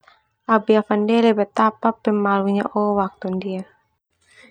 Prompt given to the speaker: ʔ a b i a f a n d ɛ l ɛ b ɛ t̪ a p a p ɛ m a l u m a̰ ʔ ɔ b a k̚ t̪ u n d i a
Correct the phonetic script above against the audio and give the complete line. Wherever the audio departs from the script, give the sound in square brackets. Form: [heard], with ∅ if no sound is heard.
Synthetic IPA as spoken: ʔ a b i a f a n d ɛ l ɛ b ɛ t̪ a p a p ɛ m a l u [ɲ] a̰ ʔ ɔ [w] a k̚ t̪ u n d i a